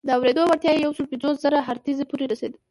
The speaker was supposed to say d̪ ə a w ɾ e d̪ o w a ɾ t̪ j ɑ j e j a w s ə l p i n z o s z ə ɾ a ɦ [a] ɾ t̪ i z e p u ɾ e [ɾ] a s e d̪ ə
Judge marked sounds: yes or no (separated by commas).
yes, yes